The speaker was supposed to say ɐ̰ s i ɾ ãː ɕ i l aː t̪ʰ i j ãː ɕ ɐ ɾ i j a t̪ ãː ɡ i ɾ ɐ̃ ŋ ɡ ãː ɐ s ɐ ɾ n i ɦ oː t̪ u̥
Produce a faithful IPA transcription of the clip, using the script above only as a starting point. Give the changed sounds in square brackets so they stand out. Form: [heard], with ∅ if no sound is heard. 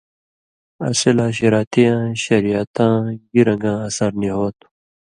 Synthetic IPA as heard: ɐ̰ s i [l] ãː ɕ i [ɾ] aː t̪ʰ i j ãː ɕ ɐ ɾ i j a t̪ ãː ɡ i ɾ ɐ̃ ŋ ɡ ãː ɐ s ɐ ɾ n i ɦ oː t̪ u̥

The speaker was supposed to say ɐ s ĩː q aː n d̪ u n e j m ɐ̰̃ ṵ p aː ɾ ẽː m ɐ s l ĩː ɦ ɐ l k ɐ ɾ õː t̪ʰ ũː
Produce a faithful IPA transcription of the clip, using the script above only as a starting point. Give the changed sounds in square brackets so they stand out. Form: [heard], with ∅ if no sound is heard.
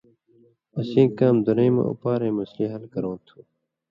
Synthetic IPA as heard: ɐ s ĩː [k] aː [m] d̪ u n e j m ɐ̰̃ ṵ p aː ɾ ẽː m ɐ s l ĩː ɦ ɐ l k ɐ ɾ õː t̪ʰ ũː

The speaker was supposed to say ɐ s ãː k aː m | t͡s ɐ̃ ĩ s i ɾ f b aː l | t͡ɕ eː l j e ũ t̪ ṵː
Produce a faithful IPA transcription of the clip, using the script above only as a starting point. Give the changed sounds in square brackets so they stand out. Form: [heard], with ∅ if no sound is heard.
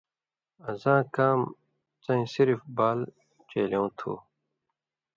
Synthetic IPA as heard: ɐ [z] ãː k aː m | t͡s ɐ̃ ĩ s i ɾ f b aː l | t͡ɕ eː l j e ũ [t̪ʰ] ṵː

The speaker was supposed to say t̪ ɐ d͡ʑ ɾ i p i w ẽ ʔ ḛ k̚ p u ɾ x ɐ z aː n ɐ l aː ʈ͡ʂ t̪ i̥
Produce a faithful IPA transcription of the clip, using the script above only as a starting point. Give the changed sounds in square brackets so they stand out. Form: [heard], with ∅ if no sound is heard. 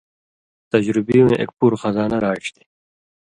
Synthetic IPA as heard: t̪ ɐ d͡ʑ ɾ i [b] i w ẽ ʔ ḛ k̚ p u ɾ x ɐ z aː n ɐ [ɾ] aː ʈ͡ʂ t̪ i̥

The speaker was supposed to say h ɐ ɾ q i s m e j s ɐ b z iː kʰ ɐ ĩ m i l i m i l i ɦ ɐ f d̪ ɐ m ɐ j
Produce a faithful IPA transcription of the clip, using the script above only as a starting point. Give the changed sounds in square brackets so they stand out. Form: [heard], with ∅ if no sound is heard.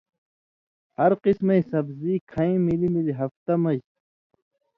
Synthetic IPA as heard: h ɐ ɾ q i s m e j s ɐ b z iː kʰ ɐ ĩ m i l i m i l i ɦ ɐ f [t̪] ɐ m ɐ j

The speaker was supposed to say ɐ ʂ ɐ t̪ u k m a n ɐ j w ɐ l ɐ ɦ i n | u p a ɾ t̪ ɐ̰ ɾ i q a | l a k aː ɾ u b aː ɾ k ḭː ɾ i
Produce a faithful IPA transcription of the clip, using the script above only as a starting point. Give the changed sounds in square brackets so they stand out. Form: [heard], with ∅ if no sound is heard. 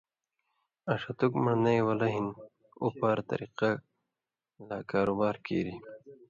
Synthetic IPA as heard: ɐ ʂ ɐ t̪ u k m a n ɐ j w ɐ l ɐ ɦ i n | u p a ɾ t̪ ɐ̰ ɾ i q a | l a k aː ɾ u b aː ɾ k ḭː ɾ i

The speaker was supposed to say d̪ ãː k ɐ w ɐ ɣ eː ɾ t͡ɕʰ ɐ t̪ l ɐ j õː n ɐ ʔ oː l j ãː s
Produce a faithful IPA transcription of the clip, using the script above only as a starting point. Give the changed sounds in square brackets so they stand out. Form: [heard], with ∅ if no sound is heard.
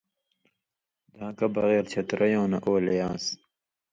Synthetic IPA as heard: d̪ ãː k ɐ [b] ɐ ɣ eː ɾ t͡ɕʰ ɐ t̪ [ɾ] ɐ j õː n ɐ ʔ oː l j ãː s

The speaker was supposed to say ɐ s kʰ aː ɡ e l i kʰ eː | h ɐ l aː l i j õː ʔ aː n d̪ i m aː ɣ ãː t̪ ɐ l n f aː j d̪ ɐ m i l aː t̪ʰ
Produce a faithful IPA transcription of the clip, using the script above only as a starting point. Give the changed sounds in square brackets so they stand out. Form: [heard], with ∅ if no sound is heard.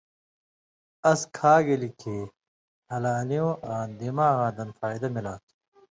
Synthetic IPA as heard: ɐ s kʰ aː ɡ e l i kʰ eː | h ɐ l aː l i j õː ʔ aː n d̪ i m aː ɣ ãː [d̪] ɐ [∅] n f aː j d̪ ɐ m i l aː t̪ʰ

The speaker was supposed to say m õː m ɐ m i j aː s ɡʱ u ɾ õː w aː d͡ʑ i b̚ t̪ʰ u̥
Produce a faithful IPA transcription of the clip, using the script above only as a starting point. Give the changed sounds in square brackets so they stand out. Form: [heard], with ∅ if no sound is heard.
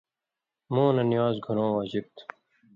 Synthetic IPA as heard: m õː [n] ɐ [n] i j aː [z] ɡʱ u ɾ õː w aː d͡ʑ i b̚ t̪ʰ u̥

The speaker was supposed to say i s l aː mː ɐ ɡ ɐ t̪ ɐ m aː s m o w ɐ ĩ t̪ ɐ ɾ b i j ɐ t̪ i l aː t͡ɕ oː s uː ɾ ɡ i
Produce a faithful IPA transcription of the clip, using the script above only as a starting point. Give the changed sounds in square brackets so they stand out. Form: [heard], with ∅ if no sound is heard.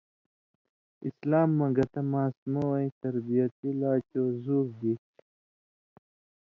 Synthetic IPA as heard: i s l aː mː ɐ ɡ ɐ t̪ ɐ m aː s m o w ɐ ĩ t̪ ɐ ɾ b i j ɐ t̪ i l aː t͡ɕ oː [z] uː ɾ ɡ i

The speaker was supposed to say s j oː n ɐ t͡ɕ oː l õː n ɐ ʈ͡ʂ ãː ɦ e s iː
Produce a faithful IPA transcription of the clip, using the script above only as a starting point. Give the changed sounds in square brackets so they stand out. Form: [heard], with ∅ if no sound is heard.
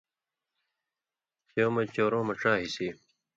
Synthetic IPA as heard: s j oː [m] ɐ t͡ɕ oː [ɾ] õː [m] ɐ ʈ͡ʂ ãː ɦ [i] s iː

